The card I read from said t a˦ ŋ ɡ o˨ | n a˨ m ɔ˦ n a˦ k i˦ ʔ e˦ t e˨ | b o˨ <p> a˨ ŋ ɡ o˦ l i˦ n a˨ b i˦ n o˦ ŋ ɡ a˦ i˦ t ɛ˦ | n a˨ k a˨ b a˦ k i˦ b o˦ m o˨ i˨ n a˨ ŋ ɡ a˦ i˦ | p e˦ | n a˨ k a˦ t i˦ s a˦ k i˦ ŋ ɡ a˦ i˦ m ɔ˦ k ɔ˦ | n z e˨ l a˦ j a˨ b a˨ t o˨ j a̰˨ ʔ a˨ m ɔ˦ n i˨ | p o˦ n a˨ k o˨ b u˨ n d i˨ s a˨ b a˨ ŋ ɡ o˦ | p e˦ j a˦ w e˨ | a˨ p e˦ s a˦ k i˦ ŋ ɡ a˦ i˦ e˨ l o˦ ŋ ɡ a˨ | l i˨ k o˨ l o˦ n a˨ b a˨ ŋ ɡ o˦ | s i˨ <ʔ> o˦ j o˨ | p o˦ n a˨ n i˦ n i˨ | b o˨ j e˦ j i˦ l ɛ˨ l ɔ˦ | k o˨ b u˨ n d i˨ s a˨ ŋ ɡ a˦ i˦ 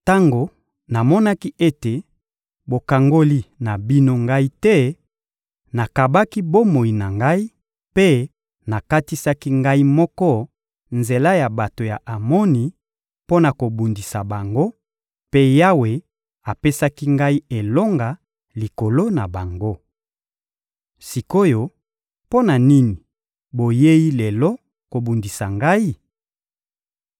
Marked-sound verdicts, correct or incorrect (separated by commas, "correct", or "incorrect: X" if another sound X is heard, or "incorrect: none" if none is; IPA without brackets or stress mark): incorrect: k, incorrect: k